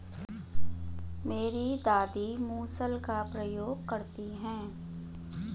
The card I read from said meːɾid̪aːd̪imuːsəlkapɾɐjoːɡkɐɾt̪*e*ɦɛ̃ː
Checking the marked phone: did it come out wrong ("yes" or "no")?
yes